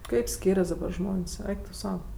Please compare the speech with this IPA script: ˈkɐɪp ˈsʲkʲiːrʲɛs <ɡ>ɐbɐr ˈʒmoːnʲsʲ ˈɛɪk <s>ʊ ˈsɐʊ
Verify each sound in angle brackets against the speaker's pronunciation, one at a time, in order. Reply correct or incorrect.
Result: incorrect: d, incorrect: t

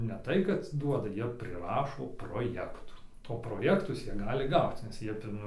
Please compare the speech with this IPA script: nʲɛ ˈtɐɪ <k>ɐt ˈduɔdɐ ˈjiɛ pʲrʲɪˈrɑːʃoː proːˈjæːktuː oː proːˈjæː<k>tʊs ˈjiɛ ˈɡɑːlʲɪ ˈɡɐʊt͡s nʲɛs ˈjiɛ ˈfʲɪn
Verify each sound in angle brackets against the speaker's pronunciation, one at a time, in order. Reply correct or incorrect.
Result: correct, correct

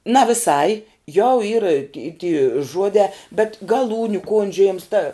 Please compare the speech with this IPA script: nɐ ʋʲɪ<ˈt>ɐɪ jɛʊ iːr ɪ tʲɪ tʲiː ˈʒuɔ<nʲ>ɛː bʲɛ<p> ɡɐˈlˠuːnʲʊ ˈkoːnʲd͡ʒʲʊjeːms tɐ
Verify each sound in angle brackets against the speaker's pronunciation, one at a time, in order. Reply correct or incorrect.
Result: incorrect: s, incorrect: dʲ, incorrect: t

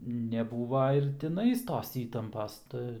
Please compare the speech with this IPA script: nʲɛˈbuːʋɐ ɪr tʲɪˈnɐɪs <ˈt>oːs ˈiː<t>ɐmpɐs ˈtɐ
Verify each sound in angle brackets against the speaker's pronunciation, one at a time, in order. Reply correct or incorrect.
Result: correct, correct

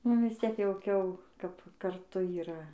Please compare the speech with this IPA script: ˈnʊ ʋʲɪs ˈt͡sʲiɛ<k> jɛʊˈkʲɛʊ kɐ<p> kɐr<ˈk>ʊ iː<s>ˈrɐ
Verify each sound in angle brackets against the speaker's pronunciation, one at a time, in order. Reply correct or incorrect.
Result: correct, correct, incorrect: t, incorrect: none

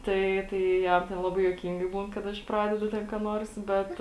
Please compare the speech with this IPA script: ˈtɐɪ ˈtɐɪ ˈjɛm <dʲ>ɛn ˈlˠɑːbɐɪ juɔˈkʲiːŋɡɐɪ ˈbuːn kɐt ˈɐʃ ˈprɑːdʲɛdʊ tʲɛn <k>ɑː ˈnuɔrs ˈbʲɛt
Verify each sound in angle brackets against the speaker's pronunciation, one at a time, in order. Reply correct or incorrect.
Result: incorrect: tʲ, correct

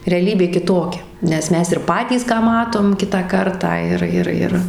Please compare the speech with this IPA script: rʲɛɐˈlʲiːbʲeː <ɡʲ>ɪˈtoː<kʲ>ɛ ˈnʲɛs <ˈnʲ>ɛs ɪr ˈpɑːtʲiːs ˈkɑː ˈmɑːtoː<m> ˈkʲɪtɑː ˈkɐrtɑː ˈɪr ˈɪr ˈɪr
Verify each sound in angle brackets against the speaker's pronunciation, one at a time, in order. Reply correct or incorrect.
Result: incorrect: kʲ, correct, incorrect: mʲ, correct

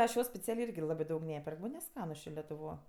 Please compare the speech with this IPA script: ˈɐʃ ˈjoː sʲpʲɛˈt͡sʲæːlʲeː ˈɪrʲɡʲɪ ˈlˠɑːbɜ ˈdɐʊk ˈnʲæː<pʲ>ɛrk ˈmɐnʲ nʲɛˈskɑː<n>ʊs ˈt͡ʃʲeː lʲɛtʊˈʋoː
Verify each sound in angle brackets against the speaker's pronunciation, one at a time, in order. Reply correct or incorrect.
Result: correct, correct

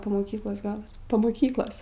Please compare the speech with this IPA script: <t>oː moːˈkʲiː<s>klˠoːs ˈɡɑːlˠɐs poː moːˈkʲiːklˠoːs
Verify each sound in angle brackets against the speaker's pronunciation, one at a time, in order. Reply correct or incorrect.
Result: incorrect: p, incorrect: none

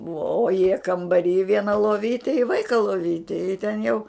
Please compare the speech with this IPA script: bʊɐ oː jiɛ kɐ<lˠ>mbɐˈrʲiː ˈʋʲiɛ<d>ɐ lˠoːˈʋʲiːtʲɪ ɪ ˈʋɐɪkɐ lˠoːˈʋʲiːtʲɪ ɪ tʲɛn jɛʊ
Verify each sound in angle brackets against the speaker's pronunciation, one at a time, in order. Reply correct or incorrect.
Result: incorrect: none, incorrect: n

